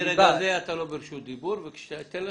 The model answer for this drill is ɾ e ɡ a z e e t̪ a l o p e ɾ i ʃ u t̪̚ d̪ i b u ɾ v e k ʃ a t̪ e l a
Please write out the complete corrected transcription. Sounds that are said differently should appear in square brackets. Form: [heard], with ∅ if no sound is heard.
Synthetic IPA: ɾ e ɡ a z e [a] t̪ a l o [b] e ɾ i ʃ u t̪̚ d̪ i b u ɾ v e k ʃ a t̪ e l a